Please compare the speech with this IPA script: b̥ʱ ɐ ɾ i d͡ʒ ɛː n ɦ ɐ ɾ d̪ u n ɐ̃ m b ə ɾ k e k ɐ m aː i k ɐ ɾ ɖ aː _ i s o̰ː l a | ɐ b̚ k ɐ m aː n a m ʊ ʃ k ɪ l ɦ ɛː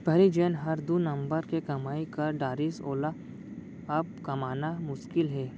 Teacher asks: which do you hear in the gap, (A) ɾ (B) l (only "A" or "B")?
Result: A